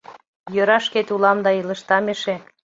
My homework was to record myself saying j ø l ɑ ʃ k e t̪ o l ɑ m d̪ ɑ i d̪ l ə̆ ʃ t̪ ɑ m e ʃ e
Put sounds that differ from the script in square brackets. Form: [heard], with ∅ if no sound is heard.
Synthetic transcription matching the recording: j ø [ɾ] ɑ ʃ k e t̪ [u] l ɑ m d̪ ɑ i [∅] l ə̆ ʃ t̪ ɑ m e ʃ e